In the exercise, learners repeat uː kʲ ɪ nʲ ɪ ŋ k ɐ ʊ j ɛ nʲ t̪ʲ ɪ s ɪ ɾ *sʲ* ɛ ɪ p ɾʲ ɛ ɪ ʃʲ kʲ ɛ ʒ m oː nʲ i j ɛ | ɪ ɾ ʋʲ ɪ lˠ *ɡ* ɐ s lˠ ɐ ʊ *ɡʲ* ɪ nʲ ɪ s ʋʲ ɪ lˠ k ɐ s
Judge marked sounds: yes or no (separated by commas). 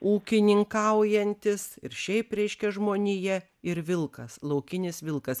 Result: no, no, no